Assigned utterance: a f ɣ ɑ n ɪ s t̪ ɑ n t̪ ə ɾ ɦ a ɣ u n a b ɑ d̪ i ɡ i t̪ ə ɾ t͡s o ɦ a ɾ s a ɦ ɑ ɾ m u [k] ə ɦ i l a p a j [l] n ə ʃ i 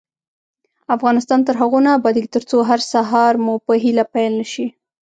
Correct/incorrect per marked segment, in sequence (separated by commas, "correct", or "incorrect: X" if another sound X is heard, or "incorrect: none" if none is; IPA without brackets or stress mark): incorrect: p, correct